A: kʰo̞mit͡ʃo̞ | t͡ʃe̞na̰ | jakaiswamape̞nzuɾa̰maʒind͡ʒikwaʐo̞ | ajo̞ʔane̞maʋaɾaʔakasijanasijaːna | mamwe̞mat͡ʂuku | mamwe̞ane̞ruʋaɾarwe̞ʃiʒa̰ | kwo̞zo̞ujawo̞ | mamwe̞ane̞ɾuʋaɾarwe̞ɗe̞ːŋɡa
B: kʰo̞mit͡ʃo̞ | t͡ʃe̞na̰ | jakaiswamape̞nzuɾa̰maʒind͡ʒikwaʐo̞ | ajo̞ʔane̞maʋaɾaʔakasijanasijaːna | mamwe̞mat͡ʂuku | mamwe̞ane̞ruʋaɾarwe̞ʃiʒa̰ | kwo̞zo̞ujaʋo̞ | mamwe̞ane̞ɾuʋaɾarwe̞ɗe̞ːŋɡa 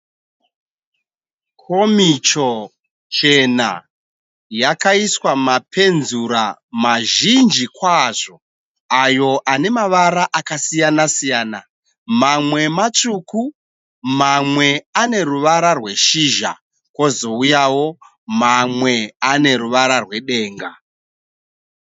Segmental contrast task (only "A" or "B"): A